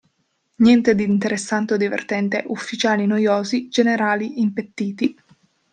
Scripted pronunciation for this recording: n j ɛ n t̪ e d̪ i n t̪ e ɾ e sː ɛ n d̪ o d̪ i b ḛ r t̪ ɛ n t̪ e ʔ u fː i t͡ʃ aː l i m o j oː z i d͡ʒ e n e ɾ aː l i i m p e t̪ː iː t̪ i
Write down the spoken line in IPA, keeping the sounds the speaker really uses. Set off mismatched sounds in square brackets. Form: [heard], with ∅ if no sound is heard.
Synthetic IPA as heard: n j ɛ n t̪ e d̪ i n t̪ e ɾ e sː [a] n [t̪] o d̪ i [v] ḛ r t̪ ɛ n t̪ e ʔ u fː i t͡ʃ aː l i [n] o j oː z i d͡ʒ e n e ɾ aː l i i m p e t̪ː iː t̪ i

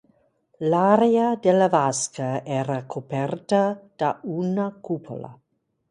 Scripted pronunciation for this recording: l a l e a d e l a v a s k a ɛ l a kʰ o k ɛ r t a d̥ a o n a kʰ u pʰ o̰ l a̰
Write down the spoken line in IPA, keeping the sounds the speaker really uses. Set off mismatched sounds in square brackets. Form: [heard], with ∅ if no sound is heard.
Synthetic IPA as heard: l a [ɾ] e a d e l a v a s k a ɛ [ɾ] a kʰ o [p] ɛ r t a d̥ a [u] n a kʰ u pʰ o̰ l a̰

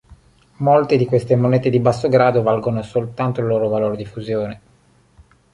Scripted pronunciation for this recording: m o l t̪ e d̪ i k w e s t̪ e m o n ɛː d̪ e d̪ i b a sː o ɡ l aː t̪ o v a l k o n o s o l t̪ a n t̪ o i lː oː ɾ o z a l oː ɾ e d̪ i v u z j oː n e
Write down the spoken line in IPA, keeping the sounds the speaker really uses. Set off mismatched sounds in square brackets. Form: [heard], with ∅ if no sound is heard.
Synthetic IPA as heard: m o l t̪ e d̪ i k w e s t̪ e m o n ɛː [t̪] e d̪ i b a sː o ɡ [ɾ] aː [d̪] o v a l [ɡ] o n o s o l t̪ a n t̪ o i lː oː ɾ o [v] a l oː ɾ e d̪ i [f] u z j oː n e

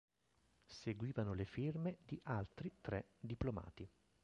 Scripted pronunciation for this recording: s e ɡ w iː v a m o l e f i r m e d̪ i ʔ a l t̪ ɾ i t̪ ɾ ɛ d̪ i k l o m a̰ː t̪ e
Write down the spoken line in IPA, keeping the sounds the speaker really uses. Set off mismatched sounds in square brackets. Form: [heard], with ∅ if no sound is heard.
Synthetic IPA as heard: s e ɡ w iː v a [n] o l e f i r m e d̪ i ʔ a l t̪ ɾ i t̪ ɾ ɛ d̪ i [p] l o m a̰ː t̪ [i]

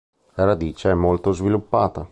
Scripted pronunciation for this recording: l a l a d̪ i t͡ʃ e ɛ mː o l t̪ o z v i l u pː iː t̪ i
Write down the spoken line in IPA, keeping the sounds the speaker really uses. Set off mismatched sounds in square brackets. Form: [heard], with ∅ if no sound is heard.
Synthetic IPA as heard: l a [ɾ] a d̪ [iː] t͡ʃ e ɛ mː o l t̪ o z v i l u pː [aː] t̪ [a]

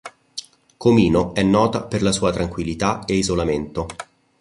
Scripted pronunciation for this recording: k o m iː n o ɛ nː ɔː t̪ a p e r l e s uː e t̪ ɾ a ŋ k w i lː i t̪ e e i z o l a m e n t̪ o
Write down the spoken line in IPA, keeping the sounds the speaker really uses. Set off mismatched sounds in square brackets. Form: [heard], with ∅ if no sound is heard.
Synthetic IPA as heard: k o m iː n o ɛ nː ɔː t̪ a p e r l [a] s uː [a] t̪ ɾ a ŋ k w i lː i t̪ [a] e i z o l a m e n t̪ o

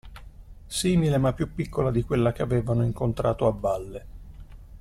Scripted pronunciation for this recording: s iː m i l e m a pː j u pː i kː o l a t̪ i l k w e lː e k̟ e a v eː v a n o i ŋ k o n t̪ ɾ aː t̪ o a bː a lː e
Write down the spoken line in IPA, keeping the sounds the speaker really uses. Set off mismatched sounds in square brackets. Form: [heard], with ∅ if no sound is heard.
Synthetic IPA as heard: s iː m i l e m a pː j u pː i kː o l a [d̪] i [∅] k w e lː [a] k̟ e a v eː v a n o i ŋ k o n t̪ ɾ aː t̪ o a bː a lː e

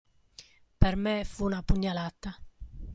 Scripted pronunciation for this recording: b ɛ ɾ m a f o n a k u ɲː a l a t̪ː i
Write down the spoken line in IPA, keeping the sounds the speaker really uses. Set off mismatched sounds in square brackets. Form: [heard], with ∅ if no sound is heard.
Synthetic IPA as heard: [p] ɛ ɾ m [ɛ] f [u] n a [p] u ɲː a l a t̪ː [a]

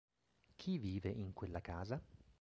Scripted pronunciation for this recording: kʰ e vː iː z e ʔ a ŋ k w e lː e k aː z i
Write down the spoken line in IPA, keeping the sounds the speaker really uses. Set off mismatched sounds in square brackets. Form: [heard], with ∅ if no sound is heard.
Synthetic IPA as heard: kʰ [i] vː iː [v] e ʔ [i] ŋ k w e lː [a] k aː z [a]

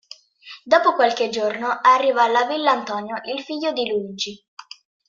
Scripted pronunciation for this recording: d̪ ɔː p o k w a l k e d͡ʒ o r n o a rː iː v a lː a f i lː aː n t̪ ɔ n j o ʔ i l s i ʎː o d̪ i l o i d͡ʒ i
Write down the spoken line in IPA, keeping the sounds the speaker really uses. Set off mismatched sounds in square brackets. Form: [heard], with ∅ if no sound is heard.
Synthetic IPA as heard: d̪ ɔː p o k w a l k e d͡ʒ o r n o a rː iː v a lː a [v] i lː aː n t̪ ɔ n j o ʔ i l [f] i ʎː o d̪ i l [u] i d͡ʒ i

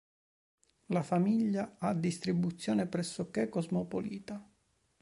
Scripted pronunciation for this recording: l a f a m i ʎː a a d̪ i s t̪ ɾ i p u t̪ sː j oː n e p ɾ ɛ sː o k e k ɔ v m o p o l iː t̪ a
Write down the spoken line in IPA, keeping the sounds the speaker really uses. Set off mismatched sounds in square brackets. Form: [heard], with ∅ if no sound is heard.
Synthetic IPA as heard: l a f a m i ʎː a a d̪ i s t̪ ɾ i [b] u t̪ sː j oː n e p ɾ ɛ sː o k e k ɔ [z] m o p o l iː t̪ a

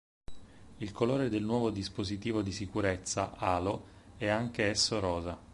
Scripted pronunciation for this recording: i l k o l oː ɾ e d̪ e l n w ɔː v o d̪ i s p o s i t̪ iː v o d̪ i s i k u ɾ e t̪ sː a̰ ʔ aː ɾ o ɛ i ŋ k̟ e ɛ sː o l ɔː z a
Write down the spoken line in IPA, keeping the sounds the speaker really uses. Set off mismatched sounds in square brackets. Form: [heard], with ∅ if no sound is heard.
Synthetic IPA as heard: i l k o l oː ɾ e d̪ e l n w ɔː v o d̪ i s p o [z] i t̪ iː v o d̪ i s i k u ɾ e t̪ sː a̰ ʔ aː [l] o ɛ [a] ŋ k̟ e ɛ sː o [ɾ] ɔː z a

